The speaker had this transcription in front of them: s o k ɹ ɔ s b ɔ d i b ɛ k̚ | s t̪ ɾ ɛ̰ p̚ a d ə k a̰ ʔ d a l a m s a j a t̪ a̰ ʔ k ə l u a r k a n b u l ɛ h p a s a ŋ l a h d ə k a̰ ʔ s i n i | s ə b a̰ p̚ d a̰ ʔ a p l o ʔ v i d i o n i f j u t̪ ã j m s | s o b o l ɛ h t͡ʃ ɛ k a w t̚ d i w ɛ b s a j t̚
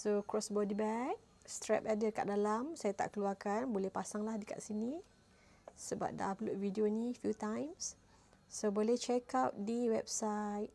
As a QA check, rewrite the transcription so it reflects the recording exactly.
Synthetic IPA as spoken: s o k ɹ ɔ s b ɔ d i b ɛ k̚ | s t̪ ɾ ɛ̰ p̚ a d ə k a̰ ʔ d a l a m s a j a t̪ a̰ ʔ k ə l u a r k a n b o l ɛ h p a s a ŋ l a h d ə k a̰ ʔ s i n i | s ə b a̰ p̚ d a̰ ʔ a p l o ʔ v i d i o n i f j u t̪ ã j m s | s o b o l ɛ h t͡ʃ ɛ k a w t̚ d i w ɛ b s a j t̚